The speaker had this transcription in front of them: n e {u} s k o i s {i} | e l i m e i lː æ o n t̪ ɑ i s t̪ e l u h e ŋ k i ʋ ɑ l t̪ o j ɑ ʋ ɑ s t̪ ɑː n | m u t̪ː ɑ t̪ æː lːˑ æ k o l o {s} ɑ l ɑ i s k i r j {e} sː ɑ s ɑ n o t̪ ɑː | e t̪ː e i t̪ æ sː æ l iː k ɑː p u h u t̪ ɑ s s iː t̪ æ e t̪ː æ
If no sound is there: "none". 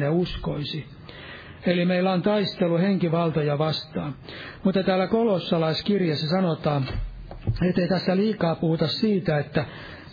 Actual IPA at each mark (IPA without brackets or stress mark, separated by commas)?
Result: u, i, sː, e